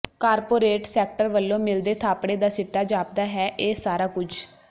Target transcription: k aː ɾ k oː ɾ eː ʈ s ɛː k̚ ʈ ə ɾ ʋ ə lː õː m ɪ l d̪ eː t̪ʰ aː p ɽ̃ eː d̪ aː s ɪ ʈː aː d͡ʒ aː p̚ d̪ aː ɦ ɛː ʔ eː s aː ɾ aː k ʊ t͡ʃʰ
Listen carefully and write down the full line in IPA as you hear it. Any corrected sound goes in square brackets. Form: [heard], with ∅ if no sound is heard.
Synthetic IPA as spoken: k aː ɾ [p] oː ɾ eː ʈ s ɛː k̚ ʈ ə ɾ ʋ ə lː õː m ɪ l d̪ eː t̪ʰ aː p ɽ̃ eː d̪ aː s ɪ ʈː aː d͡ʒ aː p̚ d̪ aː ɦ ɛː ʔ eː s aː ɾ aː k ʊ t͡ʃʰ